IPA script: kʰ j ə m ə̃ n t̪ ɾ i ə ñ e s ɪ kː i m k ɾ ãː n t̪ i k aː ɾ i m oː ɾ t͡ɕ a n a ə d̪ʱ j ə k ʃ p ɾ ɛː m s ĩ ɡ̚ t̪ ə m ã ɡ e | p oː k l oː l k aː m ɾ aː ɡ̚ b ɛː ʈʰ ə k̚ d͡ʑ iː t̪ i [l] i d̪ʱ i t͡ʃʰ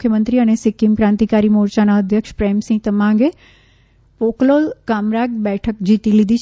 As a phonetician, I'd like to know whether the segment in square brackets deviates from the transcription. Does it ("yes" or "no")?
no